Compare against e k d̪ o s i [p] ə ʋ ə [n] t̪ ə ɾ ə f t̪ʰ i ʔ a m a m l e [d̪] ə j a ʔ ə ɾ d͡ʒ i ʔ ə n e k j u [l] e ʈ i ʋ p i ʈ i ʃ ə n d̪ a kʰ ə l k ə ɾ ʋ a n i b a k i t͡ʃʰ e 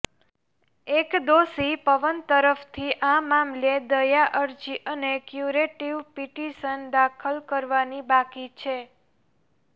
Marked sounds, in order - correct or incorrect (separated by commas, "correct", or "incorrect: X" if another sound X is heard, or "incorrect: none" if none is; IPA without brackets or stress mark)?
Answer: correct, correct, correct, incorrect: ɾ